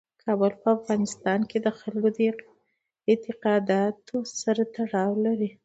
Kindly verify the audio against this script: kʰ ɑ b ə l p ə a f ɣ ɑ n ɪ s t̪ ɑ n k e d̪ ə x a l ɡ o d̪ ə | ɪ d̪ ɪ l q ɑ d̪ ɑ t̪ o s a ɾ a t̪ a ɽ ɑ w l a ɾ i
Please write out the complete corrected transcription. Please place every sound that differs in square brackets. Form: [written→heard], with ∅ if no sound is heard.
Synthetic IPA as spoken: kʰ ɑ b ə l p ə a f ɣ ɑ n ɪ s t̪ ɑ n k e d̪ ə x a l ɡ o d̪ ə | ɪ [d̪→t̪] ɪ [l→∅] q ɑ d̪ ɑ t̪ o s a ɾ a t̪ a ɽ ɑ w l a ɾ i